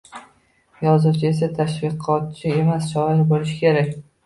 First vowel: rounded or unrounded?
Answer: rounded